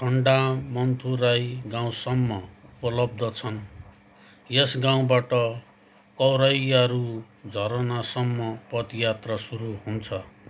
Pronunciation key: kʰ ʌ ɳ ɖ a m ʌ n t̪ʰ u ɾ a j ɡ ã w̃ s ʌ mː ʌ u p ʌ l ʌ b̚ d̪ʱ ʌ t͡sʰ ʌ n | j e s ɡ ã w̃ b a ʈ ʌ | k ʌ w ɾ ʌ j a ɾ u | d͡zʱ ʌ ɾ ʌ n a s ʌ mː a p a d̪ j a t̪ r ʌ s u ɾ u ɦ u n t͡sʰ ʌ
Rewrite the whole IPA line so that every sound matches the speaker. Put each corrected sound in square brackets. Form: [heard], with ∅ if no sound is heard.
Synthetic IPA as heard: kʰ ʌ ɳ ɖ a m ʌ n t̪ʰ u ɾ a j ɡ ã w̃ s ʌ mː ʌ u p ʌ l ʌ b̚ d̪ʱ ʌ t͡sʰ ʌ n | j e s ɡ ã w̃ b a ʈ ʌ | k ʌ w ɾ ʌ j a ɾ u | d͡zʱ ʌ ɾ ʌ n a s ʌ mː [ʌ] p [ʌ] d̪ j a t̪ r ʌ s u ɾ u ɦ u n t͡sʰ ʌ